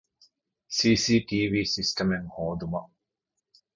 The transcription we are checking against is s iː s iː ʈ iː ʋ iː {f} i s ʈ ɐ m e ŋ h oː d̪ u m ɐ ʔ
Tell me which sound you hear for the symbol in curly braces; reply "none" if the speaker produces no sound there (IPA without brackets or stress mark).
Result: s